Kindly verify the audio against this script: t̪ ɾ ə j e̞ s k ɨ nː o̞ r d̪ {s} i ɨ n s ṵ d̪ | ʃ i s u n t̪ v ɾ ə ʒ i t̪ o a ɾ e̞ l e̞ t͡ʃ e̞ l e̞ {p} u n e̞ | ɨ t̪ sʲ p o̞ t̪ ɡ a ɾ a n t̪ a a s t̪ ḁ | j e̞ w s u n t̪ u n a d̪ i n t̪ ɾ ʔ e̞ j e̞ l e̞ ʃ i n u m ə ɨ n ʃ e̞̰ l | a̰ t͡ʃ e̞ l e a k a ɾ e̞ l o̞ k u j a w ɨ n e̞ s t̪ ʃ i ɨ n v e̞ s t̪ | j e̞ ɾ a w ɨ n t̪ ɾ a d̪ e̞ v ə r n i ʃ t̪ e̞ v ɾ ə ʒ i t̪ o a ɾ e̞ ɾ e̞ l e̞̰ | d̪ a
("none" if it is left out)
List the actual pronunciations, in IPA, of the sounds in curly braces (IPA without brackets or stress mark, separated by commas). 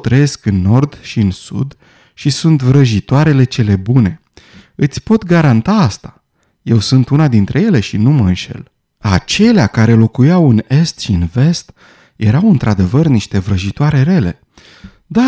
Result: ʃ, b